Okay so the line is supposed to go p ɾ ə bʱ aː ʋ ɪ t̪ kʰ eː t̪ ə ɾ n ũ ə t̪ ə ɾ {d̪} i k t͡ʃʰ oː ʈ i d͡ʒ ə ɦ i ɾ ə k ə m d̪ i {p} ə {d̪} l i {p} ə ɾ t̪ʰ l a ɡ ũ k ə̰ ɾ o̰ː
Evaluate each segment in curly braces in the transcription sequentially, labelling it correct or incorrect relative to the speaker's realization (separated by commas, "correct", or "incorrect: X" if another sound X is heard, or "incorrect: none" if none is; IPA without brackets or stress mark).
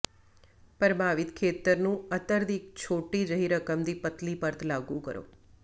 correct, correct, incorrect: t̪, correct